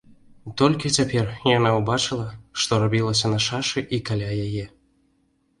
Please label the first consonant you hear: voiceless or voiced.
voiceless